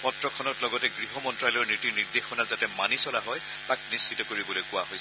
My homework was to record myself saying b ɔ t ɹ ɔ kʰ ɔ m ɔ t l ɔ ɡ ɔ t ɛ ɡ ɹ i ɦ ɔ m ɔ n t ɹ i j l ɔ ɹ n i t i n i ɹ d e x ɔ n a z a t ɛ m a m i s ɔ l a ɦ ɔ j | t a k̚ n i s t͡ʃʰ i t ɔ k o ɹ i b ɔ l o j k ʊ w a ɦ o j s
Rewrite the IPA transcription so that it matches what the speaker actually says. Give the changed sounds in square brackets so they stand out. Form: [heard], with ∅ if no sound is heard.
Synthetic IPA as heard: [p] ɔ t ɹ ɔ kʰ ɔ [n] ɔ t l ɔ ɡ ɔ t ɛ ɡ ɹ i ɦ ɔ m ɔ n t ɹ [a] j l ɔ ɹ n i t i n i ɹ d e x ɔ n a z a t ɛ m a [n] i s ɔ l a ɦ ɔ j | t a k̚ n i s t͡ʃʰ i t ɔ k o ɹ i b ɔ l o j k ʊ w a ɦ o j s